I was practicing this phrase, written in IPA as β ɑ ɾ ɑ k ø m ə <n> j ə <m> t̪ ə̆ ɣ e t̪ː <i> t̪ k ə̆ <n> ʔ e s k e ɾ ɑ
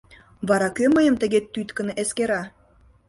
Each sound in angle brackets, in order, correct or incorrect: incorrect, correct, incorrect, correct

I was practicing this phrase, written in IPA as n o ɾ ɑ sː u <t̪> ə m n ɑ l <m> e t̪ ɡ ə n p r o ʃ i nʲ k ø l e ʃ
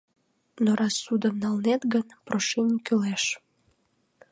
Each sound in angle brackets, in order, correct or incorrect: incorrect, incorrect

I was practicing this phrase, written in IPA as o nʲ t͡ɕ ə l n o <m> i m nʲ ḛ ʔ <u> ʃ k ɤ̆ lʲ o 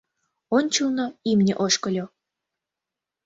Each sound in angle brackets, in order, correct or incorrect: incorrect, incorrect

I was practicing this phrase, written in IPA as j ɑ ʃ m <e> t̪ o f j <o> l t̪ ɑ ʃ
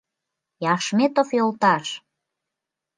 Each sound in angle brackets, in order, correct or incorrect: correct, correct

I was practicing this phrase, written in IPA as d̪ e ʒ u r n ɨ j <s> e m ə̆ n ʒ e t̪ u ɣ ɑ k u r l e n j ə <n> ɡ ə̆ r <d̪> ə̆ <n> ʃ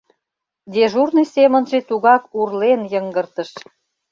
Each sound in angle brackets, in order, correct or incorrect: correct, incorrect, incorrect, incorrect

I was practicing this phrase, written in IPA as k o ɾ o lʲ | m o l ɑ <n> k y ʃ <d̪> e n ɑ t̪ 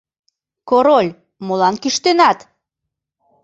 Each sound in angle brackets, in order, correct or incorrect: correct, incorrect

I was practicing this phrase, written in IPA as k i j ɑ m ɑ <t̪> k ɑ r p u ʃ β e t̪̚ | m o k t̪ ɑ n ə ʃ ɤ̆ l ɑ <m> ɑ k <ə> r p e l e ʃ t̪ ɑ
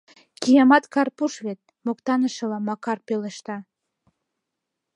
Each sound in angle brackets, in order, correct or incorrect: correct, correct, incorrect

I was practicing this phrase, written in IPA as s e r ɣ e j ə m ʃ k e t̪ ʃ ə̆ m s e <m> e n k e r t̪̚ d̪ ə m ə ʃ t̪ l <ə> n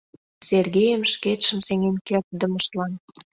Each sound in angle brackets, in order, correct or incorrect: incorrect, incorrect

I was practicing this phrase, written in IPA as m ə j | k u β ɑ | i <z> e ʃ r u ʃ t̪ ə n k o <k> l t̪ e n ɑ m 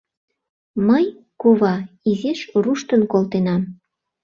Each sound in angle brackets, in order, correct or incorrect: correct, incorrect

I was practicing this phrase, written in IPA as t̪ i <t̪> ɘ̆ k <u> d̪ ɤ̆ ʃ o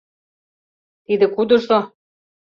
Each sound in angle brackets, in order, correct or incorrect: incorrect, correct

